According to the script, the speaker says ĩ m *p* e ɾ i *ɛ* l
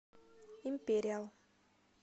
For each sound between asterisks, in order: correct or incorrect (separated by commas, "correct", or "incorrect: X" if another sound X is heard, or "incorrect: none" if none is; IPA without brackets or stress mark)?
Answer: correct, incorrect: a